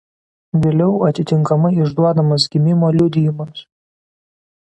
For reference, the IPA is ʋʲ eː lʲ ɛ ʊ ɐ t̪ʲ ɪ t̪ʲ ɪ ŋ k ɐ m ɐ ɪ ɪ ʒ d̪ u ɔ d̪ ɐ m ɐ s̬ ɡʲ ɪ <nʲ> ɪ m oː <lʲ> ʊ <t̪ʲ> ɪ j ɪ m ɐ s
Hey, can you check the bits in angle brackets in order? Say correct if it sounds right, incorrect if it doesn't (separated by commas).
incorrect, correct, incorrect